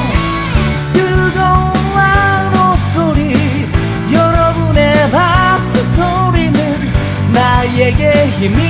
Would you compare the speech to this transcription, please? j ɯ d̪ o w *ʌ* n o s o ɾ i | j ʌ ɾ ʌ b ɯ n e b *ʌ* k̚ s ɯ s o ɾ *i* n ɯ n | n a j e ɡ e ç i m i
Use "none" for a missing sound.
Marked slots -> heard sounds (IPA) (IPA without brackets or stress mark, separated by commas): a, a, i